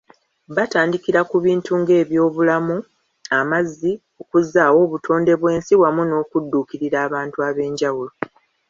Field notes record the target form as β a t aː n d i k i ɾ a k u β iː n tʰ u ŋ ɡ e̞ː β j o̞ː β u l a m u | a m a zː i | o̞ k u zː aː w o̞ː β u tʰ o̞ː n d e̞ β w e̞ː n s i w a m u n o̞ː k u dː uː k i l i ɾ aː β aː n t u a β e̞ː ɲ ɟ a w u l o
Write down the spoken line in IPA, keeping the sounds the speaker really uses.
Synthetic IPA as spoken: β a t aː n d i k i ɾ a k u β iː n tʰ u ŋ ɡ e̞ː β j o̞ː β u l a m u | a m a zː i | o̞ k u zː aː w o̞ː β u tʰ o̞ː n d e̞ β w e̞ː n s i w a m u n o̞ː k u dː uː k i ɾ i ɾ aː β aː n t u a β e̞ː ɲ ɟ a w u l o

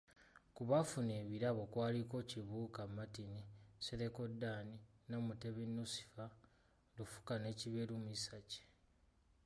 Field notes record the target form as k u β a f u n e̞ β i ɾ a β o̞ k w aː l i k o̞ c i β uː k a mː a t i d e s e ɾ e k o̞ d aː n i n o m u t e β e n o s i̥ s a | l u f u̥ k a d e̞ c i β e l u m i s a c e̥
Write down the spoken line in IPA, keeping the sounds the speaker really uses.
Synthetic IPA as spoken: k u β a f u n e̞ β i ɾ a β o̞ k w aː l i k o̞ c i β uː k a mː a t i n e s e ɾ e k o̞ d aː n i n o m u t e β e n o s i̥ f a | l u f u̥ k a n e̞ c i β e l u m i s a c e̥

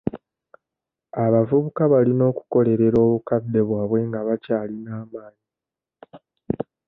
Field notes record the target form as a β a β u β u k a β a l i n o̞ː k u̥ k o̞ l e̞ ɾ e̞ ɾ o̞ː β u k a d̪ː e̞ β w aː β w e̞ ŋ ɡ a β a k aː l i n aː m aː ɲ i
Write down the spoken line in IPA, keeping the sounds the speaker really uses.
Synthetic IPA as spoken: a β a v u β u k a β a l i n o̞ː k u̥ k o̞ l e̞ ɾ e̞ ɾ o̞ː β u k a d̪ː e̞ β w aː β w e̞ ŋ ɡ a β a c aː l i n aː m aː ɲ i

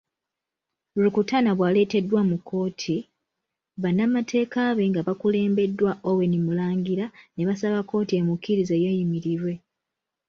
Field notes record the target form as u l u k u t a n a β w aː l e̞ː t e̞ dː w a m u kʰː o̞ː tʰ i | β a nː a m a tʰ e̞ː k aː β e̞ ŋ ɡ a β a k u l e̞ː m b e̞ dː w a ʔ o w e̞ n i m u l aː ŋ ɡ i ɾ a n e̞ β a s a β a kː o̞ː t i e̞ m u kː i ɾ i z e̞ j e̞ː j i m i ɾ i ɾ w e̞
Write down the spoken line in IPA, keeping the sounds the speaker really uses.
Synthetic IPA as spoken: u l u k u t a n a β w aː l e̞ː t e̞ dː w a m u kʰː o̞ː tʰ i | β a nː a m a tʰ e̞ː k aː β e̞ ŋ ɡ a β a k u l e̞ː m b e̞ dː w a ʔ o w e̞ n i m u l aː ŋ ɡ i ɾ a n e̞ β a s a β a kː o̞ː t i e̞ m u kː i ɾ i z e̞ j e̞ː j i m i ɾ i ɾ w e̞

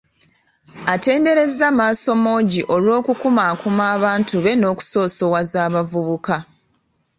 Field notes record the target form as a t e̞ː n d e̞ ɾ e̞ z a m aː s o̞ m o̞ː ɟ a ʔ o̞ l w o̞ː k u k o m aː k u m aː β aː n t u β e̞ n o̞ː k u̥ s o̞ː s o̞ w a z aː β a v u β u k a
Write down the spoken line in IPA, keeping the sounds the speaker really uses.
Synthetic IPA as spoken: a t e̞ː n d e̞ ɾ e̞ z a m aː s o̞ m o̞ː ɟ i ʔ o̞ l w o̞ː k u k u m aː k u m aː β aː n t u β e̞ n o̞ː k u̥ s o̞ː s o̞ w a z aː β a v u β u k a

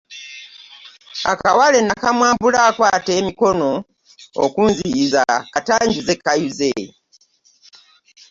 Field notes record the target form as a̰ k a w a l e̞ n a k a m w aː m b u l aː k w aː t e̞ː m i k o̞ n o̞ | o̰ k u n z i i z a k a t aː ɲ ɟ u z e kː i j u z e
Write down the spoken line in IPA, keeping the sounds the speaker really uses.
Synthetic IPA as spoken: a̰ k a w a l e̞ n a k a m w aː m b u l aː k w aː t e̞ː m i k o̞ n o̞ | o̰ k u n z i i z a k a t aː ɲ ɟ u z e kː a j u z e

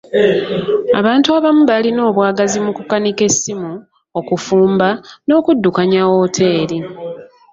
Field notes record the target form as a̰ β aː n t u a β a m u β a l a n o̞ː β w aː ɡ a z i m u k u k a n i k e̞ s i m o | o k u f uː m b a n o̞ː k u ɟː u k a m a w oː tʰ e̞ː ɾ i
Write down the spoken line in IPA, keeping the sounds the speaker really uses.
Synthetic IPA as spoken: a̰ β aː n t u a β a m u β a l i n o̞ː β w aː ɡ a z i m u k u k a n i k e̞ s i m u | o k u f uː m b a n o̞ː k u dː u k a ɲ a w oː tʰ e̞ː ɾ i

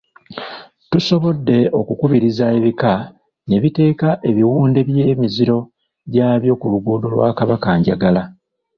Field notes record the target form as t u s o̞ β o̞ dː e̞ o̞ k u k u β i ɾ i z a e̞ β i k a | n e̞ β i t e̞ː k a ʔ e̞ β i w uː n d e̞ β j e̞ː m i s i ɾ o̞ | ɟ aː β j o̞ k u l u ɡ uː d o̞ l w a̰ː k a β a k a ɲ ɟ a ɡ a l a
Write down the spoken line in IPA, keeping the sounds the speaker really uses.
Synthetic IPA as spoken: t u s o̞ β o̞ dː e̞ o̞ k u k u β i ɾ i z a e̞ β i k a | n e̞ β i t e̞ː k a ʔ e̞ β i w uː n d e̞ β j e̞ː m i z i ɾ o̞ | ɟ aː β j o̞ k u l u ɡ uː d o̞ l w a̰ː k a β a k a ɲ ɟ a ɡ a l a

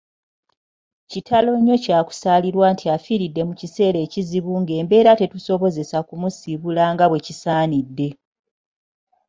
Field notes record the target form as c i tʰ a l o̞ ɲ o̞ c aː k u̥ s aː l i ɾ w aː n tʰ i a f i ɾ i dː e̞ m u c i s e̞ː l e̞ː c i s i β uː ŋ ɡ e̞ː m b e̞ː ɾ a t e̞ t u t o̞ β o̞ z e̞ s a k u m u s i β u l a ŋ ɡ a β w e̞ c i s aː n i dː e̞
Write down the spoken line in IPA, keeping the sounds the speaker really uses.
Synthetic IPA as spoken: c i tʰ a l o̞ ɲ o̞ c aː k u̥ s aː l i ɾ w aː n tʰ i a f i ɾ i dː e̞ m u c i s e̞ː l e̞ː c i z i β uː ŋ ɡ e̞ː m b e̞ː ɾ a t e̞ t u s o̞ β o̞ z e̞ s a k u m u s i β u l a ŋ ɡ a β w e̞ c i s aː n i dː e̞

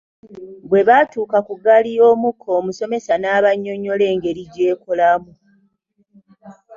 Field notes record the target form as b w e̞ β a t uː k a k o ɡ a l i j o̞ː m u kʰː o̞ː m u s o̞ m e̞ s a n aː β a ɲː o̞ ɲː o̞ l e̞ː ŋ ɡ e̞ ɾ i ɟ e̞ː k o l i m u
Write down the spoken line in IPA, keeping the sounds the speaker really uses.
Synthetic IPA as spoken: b w e̞ β a t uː k a k u ɡ a l i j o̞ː m u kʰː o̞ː m u s o̞ m e̞ s a n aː β a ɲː o̞ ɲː o̞ l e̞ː ŋ ɡ e̞ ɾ i ɟ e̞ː k o l a m u

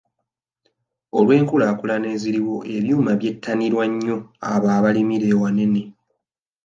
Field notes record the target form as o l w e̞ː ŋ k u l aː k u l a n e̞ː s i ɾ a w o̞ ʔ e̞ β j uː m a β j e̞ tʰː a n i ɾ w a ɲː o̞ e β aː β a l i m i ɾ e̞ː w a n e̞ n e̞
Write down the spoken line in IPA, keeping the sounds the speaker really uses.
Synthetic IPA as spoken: o l w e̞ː ŋ k u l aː k u l a n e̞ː z i ɾ i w o̞ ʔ e̞ β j uː m a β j e̞ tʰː a n i ɾ w a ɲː o̞ a β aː β a l i m i ɾ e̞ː w a n e̞ n e̞

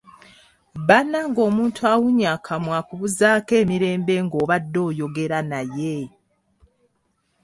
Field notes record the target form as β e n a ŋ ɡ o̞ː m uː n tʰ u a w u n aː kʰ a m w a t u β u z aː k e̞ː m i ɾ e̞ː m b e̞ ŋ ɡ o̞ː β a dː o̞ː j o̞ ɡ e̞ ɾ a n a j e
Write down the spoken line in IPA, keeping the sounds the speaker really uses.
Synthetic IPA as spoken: β a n a ŋ ɡ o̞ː m uː n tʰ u a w u ɲ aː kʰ a m w a k u β u z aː k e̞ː m i ɾ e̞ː m b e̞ ŋ ɡ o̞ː β a dː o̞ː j o̞ ɡ e̞ ɾ a n a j e

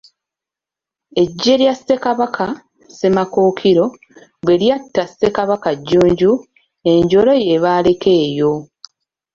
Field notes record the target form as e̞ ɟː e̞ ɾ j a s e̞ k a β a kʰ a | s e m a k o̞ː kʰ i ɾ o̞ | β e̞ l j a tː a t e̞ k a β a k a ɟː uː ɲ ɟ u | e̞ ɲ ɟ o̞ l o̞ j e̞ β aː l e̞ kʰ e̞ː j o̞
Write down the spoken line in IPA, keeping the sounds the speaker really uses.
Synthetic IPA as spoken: e̞ ɟː e̞ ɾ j a s e̞ k a β a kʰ a | s e m a k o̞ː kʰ i ɾ o̞ | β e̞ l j a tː a s e̞ k a β a k a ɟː uː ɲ ɟ u | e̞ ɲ ɟ o̞ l o̞ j e̞ β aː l e̞ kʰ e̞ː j o̞

